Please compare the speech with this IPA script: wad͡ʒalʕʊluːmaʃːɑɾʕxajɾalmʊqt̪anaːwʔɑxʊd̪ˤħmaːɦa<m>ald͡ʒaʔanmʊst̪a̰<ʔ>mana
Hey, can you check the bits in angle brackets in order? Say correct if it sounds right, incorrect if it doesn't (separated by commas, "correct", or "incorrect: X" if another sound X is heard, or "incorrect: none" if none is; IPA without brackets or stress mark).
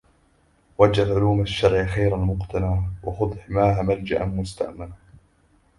correct, correct